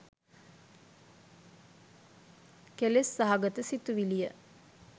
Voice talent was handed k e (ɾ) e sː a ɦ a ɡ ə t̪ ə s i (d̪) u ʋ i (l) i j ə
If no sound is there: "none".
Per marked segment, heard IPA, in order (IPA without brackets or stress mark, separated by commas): l, t̪, l